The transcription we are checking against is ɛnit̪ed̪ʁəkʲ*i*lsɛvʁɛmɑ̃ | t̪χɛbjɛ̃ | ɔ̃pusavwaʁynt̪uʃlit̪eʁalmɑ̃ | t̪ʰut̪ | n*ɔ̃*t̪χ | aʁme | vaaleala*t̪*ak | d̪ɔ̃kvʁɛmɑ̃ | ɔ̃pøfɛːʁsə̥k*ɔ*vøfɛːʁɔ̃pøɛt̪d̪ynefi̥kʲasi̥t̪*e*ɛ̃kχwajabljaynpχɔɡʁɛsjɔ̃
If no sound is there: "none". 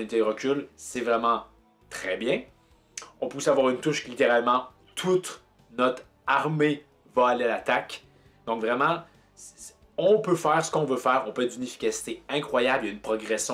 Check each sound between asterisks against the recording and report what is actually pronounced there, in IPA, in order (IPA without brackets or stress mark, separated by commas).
y, ɔ, t̪, ɔ̃, e